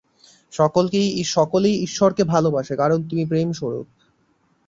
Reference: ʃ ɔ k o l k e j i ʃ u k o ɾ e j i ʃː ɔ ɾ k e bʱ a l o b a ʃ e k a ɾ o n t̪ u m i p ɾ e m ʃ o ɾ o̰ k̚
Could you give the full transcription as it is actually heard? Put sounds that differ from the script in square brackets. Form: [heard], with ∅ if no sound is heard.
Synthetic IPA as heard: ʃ ɔ k o l k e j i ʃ [ɔ] k o [l] e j i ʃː ɔ ɾ k e bʱ a l o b a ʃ e k a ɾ o n t̪ u m i p ɾ e m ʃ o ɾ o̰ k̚